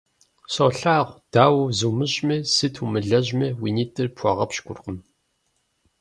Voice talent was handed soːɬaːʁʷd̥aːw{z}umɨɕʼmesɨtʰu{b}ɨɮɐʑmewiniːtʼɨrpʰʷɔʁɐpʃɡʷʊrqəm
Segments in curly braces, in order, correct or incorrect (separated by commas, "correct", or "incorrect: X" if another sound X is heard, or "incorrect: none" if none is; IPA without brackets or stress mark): correct, incorrect: m